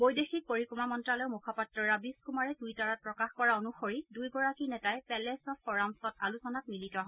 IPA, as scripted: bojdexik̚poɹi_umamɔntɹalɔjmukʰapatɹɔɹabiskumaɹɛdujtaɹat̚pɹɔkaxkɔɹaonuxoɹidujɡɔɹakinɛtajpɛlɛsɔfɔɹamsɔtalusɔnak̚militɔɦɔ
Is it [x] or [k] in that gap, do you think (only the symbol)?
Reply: k